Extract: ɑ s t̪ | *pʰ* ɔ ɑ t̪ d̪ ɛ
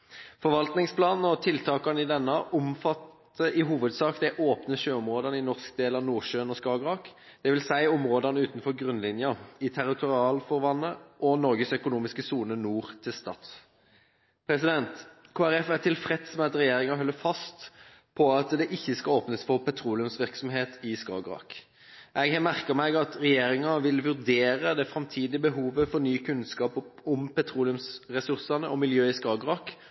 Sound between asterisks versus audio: correct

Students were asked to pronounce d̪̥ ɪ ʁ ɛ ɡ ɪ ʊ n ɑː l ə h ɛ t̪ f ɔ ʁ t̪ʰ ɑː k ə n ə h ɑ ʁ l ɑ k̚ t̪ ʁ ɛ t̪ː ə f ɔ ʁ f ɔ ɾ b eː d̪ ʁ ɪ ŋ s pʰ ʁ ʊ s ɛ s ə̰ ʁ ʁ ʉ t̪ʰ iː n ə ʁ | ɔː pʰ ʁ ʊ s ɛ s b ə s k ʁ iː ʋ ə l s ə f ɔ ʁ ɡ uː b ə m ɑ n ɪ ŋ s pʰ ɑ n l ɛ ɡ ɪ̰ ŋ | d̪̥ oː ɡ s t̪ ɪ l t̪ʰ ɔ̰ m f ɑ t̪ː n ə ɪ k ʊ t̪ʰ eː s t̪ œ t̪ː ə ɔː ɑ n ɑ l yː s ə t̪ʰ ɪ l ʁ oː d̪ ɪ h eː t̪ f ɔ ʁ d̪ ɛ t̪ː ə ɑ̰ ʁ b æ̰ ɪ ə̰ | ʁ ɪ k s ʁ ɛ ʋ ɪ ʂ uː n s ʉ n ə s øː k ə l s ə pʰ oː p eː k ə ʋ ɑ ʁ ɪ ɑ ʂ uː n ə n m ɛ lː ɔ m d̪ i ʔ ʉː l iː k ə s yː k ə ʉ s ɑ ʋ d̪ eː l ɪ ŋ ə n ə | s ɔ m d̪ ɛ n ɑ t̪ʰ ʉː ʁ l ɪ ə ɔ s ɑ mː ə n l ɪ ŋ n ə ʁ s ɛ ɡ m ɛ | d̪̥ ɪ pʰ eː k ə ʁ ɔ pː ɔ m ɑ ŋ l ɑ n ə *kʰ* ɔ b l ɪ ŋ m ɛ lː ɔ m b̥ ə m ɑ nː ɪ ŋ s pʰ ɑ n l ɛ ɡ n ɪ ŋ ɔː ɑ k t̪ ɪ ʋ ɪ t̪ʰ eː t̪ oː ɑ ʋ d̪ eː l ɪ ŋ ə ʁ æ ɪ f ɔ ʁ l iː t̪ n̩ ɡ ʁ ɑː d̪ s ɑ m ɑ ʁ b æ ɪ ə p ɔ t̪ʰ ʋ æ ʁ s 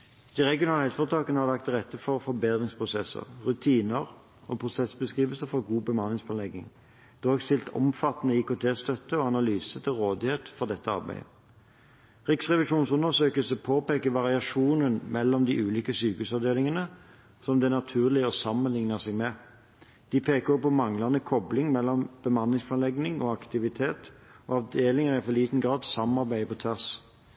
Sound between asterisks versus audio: correct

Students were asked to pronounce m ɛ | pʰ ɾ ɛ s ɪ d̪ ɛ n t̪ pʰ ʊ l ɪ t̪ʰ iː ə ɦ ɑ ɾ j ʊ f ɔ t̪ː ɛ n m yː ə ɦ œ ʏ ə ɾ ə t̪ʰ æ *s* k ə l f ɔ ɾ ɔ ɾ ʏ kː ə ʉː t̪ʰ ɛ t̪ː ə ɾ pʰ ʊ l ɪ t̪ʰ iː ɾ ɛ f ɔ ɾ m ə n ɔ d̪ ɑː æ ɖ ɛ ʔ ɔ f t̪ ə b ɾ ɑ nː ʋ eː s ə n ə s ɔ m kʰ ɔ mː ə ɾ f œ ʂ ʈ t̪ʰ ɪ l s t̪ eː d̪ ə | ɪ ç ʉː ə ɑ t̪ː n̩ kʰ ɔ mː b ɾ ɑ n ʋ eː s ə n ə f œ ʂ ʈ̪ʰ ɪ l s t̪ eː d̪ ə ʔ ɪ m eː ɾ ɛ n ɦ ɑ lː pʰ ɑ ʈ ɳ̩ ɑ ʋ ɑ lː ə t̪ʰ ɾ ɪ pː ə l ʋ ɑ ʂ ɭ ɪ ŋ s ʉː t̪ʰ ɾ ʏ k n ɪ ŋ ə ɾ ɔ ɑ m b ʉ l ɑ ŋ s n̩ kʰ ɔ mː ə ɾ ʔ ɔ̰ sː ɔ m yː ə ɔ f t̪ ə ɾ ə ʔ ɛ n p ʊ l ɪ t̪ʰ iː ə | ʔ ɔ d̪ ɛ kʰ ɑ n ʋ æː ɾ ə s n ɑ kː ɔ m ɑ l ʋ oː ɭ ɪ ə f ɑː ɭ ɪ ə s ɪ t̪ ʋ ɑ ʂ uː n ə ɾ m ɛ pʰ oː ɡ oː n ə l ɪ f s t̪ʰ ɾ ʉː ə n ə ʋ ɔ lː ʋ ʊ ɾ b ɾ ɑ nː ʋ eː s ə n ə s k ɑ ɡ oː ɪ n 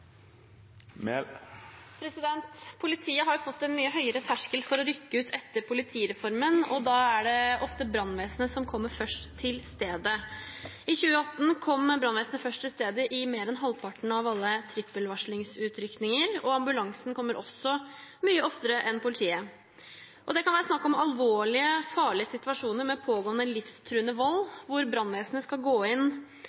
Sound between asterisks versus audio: incorrect: ʂ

